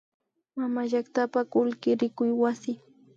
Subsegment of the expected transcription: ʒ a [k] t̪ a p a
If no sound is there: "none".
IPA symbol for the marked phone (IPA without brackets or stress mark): k